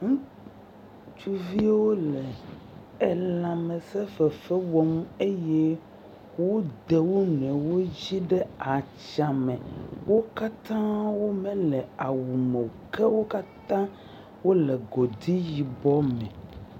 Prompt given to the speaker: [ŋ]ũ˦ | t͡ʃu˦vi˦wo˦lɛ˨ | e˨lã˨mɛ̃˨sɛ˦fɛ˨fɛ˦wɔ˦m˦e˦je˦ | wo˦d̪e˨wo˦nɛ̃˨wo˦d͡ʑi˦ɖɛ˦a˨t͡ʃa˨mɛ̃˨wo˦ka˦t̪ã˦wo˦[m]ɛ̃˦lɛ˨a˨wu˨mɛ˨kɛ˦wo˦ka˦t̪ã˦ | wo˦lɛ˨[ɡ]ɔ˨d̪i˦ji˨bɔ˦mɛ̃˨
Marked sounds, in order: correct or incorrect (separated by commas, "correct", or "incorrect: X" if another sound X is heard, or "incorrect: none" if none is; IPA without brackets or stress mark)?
correct, correct, correct